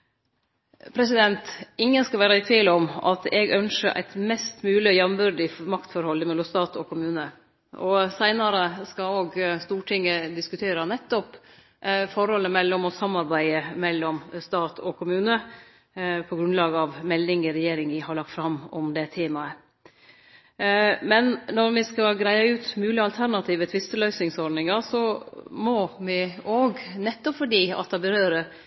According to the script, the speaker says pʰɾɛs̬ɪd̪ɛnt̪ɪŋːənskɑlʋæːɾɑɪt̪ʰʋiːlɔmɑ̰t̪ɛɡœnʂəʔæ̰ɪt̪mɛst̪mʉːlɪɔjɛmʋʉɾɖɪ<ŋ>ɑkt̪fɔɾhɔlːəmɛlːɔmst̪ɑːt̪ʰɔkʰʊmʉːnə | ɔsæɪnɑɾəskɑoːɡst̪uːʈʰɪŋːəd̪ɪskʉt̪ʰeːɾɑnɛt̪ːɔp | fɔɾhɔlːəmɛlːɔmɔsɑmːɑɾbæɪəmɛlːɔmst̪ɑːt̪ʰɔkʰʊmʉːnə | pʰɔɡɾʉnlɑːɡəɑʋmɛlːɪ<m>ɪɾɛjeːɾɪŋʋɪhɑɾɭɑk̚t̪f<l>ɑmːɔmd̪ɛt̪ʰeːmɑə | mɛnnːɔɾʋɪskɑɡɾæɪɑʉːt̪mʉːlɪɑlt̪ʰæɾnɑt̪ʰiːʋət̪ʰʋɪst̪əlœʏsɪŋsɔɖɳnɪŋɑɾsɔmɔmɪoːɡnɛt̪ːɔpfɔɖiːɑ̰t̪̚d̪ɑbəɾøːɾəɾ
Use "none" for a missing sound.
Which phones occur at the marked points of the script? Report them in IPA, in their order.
m, ŋ, ɾ

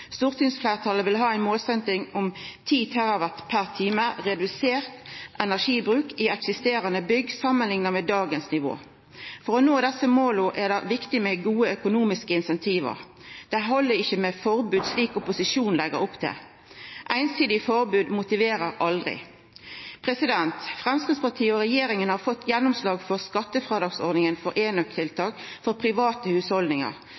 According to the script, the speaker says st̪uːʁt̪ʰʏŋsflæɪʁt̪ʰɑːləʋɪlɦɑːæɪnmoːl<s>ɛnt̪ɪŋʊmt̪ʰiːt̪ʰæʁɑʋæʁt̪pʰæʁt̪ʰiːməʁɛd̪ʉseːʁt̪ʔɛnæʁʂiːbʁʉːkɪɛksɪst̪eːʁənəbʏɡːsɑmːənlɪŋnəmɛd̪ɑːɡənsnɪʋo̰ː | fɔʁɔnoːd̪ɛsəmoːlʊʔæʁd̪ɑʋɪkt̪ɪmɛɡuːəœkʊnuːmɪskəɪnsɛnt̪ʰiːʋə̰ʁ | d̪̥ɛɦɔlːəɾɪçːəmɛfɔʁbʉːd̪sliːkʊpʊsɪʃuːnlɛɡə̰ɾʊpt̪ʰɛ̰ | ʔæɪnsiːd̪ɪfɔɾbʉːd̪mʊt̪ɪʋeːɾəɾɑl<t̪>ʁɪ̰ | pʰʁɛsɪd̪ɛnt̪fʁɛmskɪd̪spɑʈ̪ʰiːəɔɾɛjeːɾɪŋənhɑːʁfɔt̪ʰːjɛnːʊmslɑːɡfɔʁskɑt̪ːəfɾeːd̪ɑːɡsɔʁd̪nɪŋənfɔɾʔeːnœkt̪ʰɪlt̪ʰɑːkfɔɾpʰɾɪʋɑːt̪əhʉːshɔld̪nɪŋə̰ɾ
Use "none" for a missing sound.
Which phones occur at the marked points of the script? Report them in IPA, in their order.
s, d̪

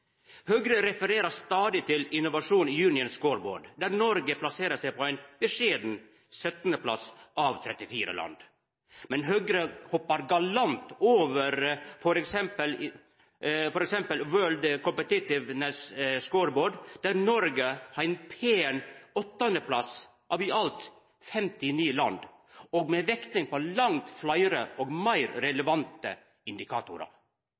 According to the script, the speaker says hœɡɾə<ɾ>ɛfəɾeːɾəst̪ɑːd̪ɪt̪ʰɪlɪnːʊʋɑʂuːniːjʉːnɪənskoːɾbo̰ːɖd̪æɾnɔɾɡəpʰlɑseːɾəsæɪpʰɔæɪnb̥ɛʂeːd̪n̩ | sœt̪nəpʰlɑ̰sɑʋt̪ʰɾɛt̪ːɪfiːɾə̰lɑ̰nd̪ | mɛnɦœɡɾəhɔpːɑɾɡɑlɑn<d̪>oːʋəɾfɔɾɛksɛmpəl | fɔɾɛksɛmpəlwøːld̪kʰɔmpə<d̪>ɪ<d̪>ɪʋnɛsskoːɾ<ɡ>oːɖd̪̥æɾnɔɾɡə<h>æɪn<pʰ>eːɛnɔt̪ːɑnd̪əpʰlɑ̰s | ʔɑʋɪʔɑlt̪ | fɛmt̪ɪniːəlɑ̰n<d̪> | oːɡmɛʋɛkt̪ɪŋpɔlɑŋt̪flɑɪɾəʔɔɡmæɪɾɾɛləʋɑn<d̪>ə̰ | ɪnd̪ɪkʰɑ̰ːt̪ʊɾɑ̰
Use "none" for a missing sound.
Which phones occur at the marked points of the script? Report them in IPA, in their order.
ɾ, t̪, t̪, t̪, b, h, pʰ, d̪, t̪

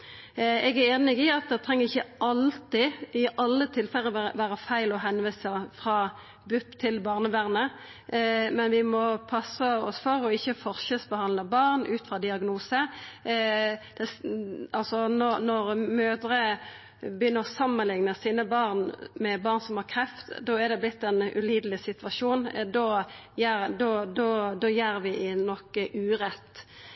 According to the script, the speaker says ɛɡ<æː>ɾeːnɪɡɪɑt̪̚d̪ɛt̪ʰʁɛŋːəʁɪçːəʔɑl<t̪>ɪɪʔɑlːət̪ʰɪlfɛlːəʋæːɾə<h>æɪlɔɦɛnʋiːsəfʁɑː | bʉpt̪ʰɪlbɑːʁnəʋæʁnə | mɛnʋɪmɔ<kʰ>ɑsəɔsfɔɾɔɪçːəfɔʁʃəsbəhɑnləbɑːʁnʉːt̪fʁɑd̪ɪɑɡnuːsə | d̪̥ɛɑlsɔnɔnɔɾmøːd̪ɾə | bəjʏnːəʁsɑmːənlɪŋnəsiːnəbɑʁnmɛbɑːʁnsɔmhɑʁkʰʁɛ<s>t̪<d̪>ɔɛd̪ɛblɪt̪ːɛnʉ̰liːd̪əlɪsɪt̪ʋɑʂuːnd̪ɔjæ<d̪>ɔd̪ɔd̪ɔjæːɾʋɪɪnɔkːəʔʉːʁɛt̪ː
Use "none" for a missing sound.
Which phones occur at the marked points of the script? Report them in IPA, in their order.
æ, t̪, f, pʰ, f, d̪, d̪

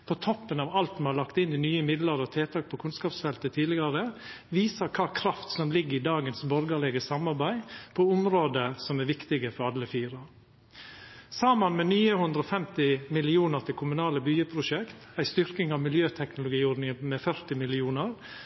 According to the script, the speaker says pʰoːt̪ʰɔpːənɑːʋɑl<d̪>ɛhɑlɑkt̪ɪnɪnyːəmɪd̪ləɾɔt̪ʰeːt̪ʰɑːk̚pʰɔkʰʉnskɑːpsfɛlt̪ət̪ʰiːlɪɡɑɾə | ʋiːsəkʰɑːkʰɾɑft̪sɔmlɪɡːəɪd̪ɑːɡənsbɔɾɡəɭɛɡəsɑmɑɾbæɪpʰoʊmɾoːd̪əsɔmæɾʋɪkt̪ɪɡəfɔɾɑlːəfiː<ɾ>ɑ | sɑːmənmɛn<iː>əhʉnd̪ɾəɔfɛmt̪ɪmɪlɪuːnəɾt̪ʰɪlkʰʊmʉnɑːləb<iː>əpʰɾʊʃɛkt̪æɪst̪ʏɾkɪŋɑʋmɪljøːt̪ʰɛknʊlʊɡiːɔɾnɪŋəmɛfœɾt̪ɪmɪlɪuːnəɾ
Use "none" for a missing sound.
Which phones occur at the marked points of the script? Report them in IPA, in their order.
t̪, ɾ, yː, yː

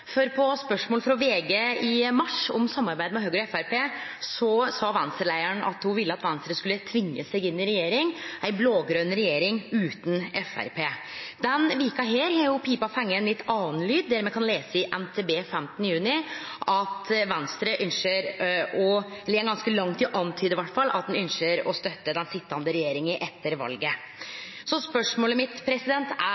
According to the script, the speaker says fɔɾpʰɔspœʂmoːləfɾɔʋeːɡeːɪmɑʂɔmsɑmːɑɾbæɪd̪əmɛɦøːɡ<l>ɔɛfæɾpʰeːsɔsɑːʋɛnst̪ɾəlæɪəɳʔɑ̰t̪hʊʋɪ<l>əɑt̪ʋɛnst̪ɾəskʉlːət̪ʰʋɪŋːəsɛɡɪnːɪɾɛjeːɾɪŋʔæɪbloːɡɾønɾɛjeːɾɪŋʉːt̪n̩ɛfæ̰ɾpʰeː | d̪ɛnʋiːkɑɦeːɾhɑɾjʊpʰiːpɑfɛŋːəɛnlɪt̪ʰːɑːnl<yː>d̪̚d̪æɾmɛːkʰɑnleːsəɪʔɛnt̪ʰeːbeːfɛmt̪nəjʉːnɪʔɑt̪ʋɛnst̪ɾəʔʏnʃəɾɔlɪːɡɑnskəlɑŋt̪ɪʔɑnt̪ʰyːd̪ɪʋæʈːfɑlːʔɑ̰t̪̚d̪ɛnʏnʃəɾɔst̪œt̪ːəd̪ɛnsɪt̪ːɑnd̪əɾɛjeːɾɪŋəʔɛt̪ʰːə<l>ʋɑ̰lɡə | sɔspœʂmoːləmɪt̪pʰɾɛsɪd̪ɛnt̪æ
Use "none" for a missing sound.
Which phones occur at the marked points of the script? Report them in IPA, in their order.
ɾ, lː, yː, ɾ

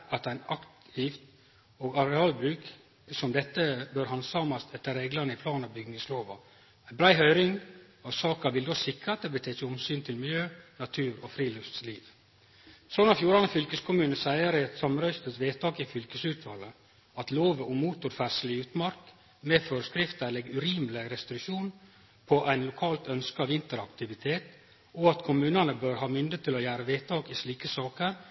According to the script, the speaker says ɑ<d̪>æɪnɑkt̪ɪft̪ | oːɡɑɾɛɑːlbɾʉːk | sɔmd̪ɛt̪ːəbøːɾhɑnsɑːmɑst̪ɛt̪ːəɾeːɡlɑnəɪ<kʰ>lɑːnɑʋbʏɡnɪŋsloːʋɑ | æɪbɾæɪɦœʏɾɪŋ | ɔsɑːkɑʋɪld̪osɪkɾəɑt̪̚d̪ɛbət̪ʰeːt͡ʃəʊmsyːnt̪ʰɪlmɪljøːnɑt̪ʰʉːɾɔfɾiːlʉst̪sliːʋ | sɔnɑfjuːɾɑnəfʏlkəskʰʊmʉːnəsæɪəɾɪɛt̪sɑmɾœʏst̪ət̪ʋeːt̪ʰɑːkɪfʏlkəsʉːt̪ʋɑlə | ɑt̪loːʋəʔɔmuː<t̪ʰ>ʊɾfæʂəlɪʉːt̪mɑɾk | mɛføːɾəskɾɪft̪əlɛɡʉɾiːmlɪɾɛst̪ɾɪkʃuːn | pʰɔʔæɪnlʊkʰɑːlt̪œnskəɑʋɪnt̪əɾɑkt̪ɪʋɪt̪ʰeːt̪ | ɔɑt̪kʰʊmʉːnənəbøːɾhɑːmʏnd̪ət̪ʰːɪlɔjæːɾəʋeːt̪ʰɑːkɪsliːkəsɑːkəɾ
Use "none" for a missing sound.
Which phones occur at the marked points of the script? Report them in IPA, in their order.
t̪, pʰ, t̪

